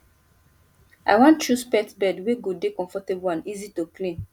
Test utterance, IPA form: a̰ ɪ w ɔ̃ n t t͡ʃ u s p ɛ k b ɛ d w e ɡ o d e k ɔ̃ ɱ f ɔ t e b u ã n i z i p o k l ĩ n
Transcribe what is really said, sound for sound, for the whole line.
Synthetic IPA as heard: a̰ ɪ w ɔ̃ n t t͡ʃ u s p ɛ t b ɛ d w e ɡ o d e k ɔ̃ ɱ f ɔ t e b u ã n i z i t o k l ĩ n